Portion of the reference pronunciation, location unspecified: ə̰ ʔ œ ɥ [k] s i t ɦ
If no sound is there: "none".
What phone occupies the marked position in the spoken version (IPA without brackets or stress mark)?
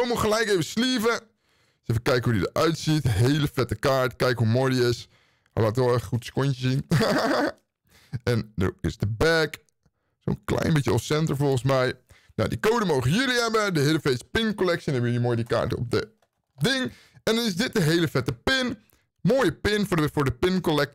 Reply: t